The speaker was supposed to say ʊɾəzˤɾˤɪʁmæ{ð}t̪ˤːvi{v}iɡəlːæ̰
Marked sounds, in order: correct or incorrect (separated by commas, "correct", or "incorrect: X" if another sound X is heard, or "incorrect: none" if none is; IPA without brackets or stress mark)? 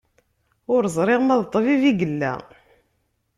correct, correct